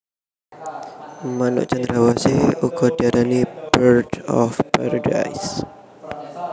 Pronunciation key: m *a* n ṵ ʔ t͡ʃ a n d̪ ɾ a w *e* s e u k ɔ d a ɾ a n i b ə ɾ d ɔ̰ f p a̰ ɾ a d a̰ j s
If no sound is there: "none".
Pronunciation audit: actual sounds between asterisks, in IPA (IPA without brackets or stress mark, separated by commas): a, a